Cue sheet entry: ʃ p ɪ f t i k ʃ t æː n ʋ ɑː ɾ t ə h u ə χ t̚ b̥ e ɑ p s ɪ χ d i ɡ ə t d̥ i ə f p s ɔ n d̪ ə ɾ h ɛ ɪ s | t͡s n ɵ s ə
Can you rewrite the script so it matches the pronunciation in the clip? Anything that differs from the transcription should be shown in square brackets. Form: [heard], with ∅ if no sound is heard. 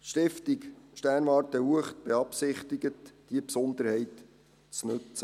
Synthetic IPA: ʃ [t] ɪ f t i k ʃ t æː n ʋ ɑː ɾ t ə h u ə χ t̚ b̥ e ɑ p s ɪ χ [t] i ɡ ə t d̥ i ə [∅] p s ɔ n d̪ ə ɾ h ɛ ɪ [t] | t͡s n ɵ [t͡s] ə